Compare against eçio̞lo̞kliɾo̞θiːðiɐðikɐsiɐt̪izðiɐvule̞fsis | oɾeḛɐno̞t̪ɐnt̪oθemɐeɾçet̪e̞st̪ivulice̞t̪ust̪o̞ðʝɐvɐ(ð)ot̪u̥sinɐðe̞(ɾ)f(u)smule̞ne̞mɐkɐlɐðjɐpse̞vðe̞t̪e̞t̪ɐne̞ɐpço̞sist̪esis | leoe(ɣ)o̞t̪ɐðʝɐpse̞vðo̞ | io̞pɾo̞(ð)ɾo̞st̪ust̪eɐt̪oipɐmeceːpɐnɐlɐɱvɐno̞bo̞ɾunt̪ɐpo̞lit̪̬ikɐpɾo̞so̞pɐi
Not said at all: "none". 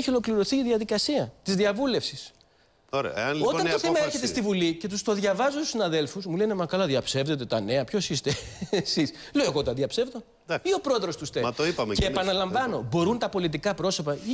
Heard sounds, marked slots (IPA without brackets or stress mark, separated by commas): z, l, u, ɣ, ð